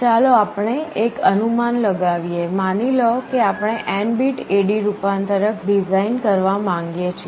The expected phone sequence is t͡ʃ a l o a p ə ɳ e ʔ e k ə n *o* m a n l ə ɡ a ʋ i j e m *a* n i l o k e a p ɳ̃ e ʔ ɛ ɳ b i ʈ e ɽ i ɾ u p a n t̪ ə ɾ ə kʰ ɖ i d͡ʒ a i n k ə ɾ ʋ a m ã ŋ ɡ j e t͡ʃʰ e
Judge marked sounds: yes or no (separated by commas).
no, yes